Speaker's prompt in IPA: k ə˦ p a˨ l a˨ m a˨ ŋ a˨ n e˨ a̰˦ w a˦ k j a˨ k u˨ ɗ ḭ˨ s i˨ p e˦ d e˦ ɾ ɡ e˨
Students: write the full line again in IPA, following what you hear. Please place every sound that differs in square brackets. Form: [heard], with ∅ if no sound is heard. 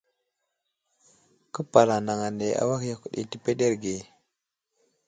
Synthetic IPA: k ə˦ p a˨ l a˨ [n] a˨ ŋ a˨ n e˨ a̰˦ w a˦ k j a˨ k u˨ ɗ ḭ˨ [t] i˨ p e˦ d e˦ ɾ ɡ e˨